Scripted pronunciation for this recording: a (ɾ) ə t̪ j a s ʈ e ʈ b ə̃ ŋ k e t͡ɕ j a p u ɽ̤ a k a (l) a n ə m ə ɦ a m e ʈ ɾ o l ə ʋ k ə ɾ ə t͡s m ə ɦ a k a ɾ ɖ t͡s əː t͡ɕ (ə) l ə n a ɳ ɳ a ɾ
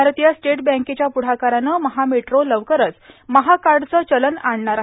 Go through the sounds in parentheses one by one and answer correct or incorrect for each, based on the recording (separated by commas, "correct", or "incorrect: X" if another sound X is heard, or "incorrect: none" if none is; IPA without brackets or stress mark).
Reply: correct, incorrect: ɾ, correct